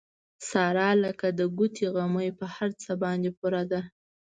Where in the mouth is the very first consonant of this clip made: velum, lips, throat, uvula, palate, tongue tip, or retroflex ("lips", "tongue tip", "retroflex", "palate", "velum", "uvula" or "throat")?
tongue tip